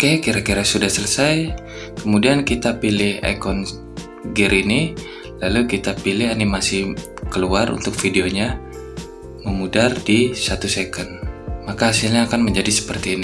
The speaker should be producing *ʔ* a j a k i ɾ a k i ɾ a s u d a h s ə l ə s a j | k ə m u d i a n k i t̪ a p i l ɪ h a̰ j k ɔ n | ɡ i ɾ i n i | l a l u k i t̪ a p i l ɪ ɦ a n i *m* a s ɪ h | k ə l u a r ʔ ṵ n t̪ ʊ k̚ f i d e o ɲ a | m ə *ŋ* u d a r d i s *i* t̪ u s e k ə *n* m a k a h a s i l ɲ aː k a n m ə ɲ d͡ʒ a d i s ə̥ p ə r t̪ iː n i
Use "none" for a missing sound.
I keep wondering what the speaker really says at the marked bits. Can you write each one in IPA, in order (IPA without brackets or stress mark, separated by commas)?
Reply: k, m, m, a, n